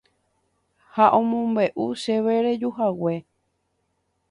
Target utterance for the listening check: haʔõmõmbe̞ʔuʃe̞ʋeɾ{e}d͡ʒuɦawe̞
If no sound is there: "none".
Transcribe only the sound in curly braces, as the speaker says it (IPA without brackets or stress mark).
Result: e